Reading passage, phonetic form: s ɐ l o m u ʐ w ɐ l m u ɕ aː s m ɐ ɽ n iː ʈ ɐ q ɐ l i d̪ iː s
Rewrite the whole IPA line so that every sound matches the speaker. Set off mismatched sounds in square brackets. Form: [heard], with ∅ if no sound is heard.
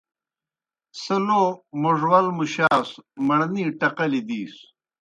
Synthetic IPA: s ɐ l o m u ʐ w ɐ l m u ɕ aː s m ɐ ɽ n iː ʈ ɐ q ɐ l i d̪ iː s